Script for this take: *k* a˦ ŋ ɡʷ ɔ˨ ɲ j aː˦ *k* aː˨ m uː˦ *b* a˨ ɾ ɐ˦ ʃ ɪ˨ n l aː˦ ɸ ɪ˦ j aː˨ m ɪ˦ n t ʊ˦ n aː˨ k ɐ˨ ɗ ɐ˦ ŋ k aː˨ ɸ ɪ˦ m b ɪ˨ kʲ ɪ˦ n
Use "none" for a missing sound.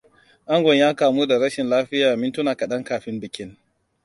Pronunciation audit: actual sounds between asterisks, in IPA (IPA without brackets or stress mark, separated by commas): ʔ, k, d